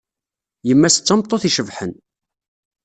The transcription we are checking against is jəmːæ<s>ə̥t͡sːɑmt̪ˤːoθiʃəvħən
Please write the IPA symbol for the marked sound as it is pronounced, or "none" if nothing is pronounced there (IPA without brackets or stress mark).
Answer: s